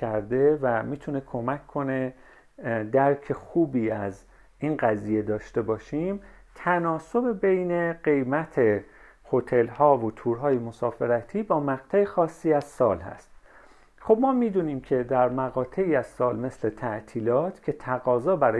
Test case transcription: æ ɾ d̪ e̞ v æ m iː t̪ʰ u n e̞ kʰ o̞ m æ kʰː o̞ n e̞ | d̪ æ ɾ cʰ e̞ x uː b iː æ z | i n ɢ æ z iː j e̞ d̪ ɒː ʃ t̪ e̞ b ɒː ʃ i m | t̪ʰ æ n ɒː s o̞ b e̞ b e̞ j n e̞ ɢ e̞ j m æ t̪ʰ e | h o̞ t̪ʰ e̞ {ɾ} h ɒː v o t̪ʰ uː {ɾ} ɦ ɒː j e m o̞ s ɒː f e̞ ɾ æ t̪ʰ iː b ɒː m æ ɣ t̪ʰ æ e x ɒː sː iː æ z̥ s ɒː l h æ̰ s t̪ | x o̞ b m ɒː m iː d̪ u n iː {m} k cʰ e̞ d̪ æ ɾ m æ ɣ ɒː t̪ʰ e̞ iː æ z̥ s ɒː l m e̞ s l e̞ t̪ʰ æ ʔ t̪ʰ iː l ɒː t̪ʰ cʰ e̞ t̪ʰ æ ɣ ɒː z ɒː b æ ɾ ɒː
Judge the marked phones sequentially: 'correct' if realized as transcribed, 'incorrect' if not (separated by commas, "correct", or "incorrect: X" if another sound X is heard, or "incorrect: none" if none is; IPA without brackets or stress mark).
incorrect: l, correct, correct